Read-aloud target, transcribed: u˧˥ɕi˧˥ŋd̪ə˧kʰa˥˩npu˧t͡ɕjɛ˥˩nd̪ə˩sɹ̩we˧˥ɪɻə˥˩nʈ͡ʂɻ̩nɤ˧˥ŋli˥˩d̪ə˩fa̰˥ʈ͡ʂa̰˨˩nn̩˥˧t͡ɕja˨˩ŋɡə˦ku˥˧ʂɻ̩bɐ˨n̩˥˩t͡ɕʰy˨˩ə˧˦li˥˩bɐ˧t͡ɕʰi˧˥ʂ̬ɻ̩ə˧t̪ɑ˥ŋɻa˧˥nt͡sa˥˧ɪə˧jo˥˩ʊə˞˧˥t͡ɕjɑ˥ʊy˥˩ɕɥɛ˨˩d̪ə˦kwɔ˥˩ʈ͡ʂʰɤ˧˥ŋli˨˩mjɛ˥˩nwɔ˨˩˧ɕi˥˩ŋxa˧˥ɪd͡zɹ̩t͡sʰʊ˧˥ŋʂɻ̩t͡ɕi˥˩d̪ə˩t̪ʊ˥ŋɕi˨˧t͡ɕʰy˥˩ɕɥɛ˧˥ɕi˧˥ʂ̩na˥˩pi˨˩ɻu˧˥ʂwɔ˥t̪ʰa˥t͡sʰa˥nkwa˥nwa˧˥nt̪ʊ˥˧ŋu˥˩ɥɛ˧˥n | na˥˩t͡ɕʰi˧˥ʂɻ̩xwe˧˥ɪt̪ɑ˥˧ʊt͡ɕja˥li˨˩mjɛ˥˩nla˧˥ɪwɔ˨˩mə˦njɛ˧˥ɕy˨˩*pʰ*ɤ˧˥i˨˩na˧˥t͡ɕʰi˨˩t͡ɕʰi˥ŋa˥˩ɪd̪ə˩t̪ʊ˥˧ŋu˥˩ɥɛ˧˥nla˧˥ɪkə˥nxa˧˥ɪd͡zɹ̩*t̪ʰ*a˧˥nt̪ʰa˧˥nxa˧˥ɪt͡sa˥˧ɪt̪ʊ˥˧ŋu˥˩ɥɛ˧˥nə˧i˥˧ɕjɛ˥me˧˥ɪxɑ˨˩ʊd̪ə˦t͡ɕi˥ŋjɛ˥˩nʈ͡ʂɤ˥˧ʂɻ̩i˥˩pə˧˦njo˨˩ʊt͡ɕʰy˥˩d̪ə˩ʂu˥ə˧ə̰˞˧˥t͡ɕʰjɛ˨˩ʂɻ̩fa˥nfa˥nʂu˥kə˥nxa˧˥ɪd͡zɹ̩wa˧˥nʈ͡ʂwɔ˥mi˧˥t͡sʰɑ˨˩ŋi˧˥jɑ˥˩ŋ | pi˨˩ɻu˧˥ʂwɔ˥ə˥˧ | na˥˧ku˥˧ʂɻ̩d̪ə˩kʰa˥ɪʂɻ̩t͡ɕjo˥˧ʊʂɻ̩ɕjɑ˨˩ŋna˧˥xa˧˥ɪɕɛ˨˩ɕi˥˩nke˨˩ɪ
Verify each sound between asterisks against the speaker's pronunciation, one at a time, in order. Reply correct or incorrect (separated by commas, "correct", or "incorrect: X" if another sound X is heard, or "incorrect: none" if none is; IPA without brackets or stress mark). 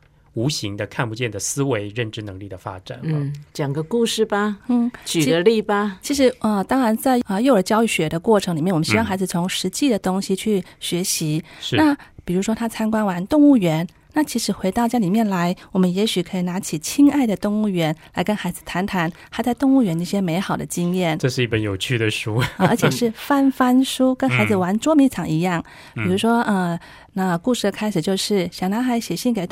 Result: incorrect: kʰ, correct